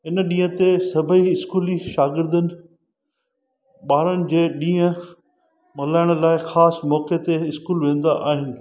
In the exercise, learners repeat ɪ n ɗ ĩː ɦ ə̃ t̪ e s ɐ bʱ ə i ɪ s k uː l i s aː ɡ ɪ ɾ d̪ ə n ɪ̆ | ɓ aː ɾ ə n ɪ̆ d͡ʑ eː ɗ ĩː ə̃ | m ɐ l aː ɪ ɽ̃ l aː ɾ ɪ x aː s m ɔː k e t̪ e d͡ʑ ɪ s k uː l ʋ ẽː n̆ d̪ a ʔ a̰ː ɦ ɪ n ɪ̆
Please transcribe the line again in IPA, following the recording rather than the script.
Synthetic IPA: ɪ n ɗ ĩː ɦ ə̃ t̪ e s ɐ bʱ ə i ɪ s k uː l i ʃ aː ɡ ɪ ɾ d̪ ə n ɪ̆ | ɓ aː ɾ ə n ɪ̆ d͡ʑ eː ɗ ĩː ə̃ | m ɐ l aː ɪ ɽ̃ l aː ɪ x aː s m ɔː k e t̪ e ɪ s k uː l ʋ ẽː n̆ d̪ a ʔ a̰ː ɦ ɪ n ɪ̆